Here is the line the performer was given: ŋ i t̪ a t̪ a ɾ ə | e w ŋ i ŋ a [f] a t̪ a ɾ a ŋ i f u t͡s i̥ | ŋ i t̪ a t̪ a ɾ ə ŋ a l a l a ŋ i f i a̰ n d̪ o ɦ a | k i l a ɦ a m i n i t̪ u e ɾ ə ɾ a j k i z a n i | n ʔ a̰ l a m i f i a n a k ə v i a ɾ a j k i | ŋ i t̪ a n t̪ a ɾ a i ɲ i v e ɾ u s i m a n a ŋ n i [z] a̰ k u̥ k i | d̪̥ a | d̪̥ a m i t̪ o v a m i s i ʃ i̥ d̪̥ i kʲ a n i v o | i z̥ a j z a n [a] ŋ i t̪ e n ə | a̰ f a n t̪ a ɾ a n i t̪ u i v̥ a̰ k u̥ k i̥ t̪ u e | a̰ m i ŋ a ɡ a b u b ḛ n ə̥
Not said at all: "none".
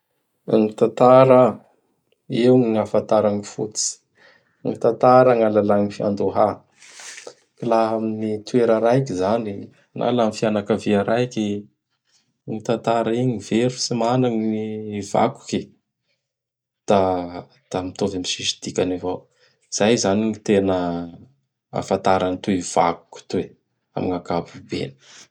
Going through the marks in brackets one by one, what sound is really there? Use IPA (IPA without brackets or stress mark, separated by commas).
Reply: f, v, i